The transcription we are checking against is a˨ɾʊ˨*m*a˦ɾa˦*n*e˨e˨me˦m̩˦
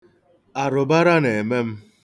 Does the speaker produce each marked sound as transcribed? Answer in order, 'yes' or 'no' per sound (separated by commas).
no, yes